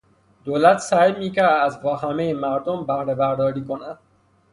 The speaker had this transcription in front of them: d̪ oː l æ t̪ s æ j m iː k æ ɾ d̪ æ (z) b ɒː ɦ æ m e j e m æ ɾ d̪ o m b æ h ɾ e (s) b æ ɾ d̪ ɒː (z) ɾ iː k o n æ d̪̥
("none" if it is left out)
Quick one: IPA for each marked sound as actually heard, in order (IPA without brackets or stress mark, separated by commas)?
z, none, none